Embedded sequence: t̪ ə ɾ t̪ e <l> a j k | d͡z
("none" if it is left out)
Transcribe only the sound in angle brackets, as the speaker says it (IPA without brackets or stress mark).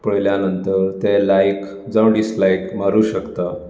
l